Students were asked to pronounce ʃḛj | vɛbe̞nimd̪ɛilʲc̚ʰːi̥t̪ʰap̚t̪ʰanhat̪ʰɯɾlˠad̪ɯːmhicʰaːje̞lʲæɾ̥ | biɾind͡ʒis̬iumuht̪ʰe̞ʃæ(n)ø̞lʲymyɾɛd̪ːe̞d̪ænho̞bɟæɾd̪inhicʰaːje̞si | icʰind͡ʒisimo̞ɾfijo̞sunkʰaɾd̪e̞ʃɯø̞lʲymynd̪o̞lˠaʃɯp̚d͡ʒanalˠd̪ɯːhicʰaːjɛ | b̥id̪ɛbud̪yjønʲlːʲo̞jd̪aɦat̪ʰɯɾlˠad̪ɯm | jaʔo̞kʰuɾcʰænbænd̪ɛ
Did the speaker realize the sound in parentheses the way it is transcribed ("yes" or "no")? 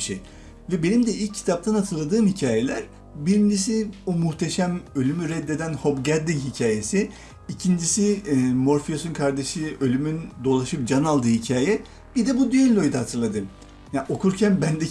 no